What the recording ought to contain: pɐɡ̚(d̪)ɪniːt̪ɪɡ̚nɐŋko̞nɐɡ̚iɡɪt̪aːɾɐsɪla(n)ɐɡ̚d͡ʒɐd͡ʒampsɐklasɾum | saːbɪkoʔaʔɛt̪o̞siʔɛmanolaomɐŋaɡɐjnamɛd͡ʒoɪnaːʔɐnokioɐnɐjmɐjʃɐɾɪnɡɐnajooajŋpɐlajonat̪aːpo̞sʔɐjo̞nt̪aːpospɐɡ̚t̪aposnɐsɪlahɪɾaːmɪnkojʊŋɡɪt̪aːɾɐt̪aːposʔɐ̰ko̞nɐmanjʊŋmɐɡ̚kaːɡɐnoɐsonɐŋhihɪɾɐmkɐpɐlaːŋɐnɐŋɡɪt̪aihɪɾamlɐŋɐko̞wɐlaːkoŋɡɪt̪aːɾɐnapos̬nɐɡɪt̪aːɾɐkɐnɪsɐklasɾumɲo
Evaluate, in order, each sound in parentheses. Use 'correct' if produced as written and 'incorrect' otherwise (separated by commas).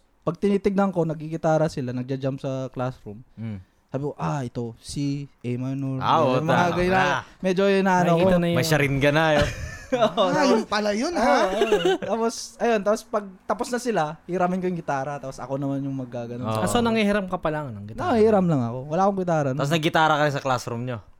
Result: incorrect, correct